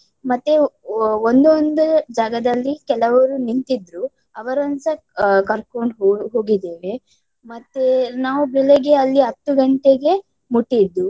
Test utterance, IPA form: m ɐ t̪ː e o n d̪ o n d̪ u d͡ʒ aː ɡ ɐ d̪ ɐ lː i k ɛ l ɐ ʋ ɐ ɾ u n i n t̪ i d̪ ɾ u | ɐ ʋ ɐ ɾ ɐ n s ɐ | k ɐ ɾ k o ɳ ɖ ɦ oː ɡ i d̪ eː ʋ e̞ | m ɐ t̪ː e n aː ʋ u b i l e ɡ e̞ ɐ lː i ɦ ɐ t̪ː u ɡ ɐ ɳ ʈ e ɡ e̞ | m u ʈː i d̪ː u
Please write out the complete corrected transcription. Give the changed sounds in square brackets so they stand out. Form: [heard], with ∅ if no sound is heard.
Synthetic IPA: m ɐ t̪ː e o n d̪ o n d̪ u d͡ʒ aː ɡ ɐ d̪ ɐ lː i k ɛ l ɐ ʋ ɐ ɾ u n i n t̪ i d̪ ɾ u | ɐ ʋ ɐ ɾ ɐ n s ɐ | k ɐ ɾ k o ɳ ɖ ɦ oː ɡ i d̪ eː ʋ e̞ | m ɐ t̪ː e n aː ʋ u b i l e ɡ e̞ ɐ lː i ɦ ɐ t̪ː u ɡ ɐ ɳ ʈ e ɡ e̞ | m u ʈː i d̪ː u